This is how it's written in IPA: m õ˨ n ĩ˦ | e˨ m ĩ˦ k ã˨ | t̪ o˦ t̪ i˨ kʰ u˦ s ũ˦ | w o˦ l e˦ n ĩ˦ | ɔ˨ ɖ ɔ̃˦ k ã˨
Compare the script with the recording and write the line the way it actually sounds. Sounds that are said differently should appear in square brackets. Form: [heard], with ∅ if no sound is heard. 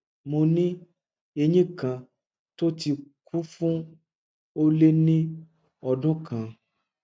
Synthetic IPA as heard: m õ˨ n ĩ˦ | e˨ [ɲ] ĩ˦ k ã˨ | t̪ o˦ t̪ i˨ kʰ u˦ [f] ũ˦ | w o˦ l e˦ n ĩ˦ | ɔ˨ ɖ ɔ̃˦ k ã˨